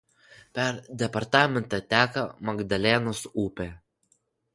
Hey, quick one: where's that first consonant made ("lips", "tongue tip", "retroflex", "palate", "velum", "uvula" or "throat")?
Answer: lips